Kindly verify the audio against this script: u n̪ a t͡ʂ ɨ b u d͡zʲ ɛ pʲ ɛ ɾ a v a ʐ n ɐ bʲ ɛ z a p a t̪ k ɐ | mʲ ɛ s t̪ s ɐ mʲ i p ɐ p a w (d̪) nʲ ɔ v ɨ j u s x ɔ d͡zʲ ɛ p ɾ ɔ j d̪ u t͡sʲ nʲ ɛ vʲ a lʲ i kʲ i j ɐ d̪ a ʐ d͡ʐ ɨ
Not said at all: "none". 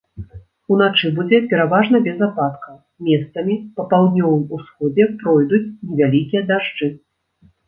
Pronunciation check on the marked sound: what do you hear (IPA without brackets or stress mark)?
d̪